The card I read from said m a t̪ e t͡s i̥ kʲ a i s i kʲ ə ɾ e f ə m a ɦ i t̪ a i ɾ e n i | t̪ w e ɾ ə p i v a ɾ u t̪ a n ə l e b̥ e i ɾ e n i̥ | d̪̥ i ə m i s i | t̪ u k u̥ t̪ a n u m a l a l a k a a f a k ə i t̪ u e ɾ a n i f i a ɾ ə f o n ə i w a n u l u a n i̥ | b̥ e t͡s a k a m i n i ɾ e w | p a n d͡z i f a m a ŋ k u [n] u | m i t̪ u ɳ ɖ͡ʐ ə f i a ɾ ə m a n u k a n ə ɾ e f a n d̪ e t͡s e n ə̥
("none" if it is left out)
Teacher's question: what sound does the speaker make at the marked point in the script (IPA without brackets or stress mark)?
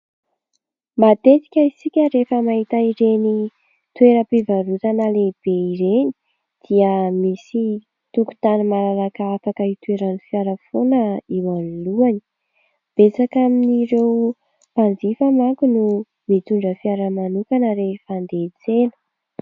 n